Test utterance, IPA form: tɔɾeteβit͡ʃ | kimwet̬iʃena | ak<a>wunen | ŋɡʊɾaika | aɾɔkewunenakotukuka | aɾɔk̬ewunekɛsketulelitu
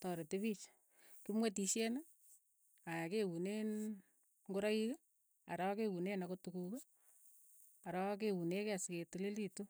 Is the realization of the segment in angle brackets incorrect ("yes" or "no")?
yes